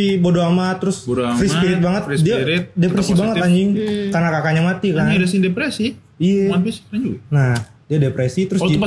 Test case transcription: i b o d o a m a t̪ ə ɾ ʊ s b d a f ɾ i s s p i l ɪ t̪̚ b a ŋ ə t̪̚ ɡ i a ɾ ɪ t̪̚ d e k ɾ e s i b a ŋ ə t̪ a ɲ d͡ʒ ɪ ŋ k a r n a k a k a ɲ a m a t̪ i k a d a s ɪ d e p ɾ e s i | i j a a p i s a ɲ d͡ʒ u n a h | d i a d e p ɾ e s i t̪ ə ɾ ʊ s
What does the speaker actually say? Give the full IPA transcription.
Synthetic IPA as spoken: i b o d o a m a t̪ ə ɾ ʊ s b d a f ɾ i s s p i ɾ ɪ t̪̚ b a ŋ ə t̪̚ d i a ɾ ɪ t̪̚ d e p ɾ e s i b a ŋ ə t̪ a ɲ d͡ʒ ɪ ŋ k a r n a k a k a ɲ a m a t̪ i k a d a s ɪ d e p ɾ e s i | i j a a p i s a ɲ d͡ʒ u n a h | d i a d e p ɾ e s i t̪ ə ɾ ʊ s